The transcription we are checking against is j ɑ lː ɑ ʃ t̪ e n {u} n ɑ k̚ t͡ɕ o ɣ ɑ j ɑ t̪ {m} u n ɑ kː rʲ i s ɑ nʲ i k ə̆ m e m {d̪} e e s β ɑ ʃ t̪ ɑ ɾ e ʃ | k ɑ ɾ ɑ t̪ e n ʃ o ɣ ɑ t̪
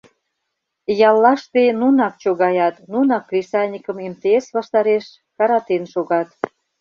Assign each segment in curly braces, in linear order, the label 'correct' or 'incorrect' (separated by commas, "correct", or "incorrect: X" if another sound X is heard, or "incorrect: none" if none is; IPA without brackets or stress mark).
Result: correct, incorrect: n, incorrect: t̪